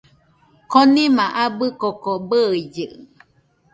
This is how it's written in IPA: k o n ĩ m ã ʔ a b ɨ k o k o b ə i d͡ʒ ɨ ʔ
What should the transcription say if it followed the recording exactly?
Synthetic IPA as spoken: k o n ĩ m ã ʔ a b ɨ k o k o b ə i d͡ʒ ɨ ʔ